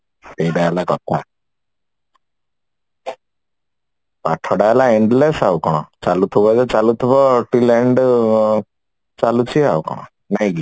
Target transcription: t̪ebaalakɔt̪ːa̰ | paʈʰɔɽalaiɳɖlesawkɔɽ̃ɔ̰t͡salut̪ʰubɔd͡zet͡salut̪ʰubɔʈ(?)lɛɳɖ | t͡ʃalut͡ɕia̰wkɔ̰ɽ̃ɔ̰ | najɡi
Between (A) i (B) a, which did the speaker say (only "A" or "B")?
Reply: A